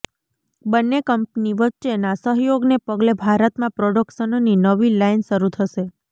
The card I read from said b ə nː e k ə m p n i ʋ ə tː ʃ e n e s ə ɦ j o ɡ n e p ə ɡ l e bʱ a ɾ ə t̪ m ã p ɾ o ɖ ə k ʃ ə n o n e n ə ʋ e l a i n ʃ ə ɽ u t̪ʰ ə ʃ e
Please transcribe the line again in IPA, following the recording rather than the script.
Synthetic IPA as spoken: b ə nː e k ə m p n i ʋ ə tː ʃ e n a s ə ɦ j o ɡ n e p ə ɡ l e bʱ a ɾ ə t̪ m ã p ɾ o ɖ ə k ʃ ə n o n i n ə ʋ i l a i n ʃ ə ɾ u t̪ʰ ə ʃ e